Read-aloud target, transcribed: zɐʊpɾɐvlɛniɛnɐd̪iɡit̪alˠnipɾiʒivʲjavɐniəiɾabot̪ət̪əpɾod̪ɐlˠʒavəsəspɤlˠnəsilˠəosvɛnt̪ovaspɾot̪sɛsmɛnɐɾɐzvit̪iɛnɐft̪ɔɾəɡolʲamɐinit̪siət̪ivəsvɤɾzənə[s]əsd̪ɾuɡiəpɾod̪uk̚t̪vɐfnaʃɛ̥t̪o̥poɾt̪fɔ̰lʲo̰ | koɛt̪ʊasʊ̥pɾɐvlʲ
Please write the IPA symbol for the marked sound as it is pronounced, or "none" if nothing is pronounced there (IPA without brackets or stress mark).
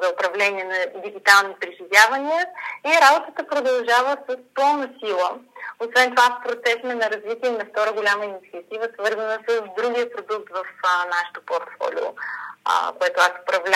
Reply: s